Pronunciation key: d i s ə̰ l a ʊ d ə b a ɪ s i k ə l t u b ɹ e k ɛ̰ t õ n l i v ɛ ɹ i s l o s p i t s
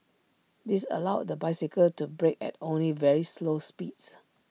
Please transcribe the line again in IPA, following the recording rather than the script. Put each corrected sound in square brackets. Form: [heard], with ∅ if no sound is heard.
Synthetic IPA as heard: d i s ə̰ l a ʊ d ə b a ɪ s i k ə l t u b ɹ e k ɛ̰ t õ n l i v ɛ ɹ i s l o s p i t s